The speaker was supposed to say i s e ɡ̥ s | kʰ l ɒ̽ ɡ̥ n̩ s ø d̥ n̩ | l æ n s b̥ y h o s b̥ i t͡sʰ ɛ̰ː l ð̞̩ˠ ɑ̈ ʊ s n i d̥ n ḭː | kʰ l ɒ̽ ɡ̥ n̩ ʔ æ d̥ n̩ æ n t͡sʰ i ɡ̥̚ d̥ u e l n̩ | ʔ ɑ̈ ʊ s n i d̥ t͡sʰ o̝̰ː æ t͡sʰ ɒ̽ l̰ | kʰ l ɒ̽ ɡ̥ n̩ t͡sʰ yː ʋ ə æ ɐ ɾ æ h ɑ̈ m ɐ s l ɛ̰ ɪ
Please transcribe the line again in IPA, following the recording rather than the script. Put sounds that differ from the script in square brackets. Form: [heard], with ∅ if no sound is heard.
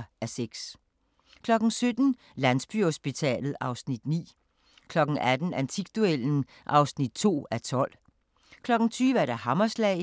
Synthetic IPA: [æ] s e ɡ̥ s | kʰ l ɒ̽ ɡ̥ n̩ s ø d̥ n̩ | l æ n s b̥ y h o s b̥ i t͡sʰ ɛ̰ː l ð̞̩ˠ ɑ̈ ʊ s n i d̥ n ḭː | kʰ l ɒ̽ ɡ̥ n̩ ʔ æ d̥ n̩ æ n t͡sʰ i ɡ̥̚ d̥ u e l n̩ | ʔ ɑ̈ ʊ s n i d̥ t͡sʰ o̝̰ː æ t͡sʰ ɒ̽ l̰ | kʰ l ɒ̽ ɡ̥ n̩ t͡sʰ yː ʋ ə æ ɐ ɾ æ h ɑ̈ m ɐ s l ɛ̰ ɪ